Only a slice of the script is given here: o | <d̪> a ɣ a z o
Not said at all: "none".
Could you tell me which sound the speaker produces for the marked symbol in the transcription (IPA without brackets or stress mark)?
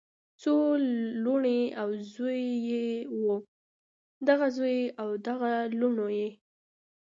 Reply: d̪